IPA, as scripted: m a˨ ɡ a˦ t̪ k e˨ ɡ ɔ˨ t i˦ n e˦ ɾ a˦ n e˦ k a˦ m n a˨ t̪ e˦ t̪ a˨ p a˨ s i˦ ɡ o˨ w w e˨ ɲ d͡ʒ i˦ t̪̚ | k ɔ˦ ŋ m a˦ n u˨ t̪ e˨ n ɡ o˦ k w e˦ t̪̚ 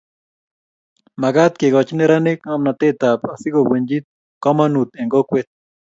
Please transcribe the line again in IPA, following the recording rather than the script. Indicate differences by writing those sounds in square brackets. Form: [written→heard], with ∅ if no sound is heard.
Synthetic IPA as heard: m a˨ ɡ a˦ t̪ k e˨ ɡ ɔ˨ [t→t͡ʃ] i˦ n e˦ ɾ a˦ n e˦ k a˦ m n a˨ t̪ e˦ t̪ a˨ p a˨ s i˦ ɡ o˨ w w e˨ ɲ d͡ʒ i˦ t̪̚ | k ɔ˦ [ŋ→∅] m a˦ n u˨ t̪ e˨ [n→ŋ] ɡ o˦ k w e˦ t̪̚